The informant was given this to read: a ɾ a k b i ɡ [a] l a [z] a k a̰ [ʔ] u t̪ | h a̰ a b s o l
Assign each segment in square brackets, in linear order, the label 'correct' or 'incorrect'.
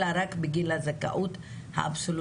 incorrect, correct, correct

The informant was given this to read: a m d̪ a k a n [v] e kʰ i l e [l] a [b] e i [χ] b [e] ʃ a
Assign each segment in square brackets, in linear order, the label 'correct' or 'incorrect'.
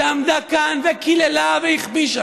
correct, correct, incorrect, correct, incorrect

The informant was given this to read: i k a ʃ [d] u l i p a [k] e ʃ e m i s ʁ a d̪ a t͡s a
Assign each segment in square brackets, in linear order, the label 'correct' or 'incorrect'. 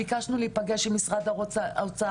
incorrect, incorrect

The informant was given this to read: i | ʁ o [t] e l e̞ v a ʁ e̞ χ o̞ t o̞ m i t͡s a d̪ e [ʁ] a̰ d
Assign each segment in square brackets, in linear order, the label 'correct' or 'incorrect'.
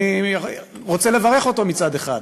incorrect, incorrect

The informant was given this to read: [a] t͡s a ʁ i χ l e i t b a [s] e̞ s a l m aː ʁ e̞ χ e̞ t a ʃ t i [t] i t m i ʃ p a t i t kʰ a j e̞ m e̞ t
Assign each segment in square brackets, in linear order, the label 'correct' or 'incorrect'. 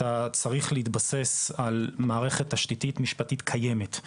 correct, correct, correct

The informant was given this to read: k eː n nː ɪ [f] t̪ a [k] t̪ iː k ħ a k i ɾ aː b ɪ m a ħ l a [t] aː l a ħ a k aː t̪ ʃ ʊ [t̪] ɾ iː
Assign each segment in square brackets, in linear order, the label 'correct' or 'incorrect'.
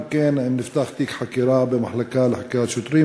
correct, incorrect, incorrect, correct

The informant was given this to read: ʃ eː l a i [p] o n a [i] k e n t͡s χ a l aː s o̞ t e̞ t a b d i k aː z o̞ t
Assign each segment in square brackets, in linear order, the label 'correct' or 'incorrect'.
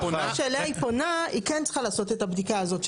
correct, correct

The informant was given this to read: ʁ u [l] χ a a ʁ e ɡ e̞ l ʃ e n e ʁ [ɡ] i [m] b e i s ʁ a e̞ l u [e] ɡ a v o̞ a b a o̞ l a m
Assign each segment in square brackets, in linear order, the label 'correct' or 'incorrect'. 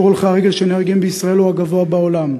correct, correct, correct, incorrect

